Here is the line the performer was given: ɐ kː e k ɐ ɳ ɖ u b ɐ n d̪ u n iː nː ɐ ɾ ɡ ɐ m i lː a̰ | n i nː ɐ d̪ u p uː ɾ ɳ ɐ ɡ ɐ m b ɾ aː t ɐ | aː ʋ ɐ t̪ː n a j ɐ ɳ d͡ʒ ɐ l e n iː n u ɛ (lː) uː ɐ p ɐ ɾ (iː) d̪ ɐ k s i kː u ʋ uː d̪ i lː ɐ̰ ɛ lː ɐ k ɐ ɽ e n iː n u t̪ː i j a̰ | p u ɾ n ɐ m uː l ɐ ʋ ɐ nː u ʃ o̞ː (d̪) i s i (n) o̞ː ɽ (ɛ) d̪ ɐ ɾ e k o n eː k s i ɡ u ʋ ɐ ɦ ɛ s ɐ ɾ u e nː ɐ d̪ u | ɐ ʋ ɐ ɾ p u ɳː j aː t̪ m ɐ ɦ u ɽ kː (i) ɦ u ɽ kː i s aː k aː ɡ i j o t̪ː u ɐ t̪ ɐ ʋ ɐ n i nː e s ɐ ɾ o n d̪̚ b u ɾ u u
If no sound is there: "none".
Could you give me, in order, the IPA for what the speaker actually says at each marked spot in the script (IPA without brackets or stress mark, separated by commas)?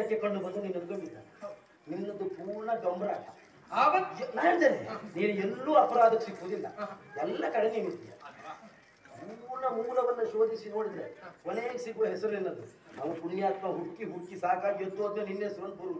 lː, aː, d̪, n, i, i